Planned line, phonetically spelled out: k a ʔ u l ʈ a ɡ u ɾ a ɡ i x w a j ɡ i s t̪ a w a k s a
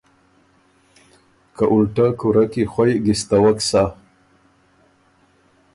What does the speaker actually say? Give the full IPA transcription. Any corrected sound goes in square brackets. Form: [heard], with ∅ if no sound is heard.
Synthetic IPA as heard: k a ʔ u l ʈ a [k] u ɾ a [k] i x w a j ɡ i s t̪ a w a k s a